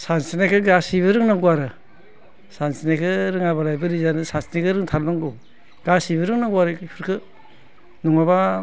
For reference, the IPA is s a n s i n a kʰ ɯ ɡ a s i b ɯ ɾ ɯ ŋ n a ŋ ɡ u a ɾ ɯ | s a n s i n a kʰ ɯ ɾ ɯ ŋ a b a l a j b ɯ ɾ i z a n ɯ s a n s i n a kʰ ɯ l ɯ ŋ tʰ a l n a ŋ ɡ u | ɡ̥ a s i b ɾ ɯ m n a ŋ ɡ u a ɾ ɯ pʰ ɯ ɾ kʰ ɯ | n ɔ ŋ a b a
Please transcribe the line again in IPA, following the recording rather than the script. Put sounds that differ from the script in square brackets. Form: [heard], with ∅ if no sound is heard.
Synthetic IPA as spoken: s a n s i n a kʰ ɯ ɡ a s i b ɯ ɾ ɯ ŋ n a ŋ ɡ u a ɾ ɯ | s a n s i n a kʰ ɯ ɾ ɯ ŋ a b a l a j b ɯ ɾ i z a n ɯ s a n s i n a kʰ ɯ [ɾ] ɯ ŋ tʰ a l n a ŋ ɡ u | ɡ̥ a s i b ɾ ɯ [ŋ] n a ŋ ɡ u a ɾ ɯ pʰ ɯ ɾ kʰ ɯ | n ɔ ŋ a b a